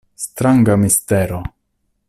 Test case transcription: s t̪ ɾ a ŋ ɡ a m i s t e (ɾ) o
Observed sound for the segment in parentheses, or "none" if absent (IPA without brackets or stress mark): ɾ